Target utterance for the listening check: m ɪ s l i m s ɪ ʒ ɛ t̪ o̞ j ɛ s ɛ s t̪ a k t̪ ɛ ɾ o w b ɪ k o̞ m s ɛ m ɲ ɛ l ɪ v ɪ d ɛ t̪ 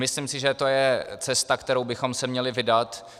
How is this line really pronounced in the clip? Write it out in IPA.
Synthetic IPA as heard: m ɪ s l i m s ɪ ʒ ɛ t̪ o̞ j ɛ t͡s ɛ s t̪ a k t̪ ɛ ɾ o w b ɪ x o̞ m s ɛ m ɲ ɛ l ɪ v ɪ d a t̪